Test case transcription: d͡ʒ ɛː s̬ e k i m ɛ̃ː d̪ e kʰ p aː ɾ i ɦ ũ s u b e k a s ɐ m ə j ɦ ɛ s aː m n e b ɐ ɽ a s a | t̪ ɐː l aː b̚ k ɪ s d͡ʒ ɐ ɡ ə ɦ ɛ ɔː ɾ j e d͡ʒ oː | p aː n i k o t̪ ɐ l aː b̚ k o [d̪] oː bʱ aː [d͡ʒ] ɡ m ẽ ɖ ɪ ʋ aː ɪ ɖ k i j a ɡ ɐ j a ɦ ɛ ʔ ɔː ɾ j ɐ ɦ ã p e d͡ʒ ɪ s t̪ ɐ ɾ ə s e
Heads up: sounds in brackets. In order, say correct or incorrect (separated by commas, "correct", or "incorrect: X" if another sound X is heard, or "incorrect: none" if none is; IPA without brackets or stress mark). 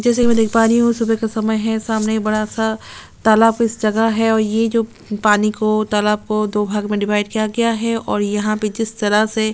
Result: correct, incorrect: none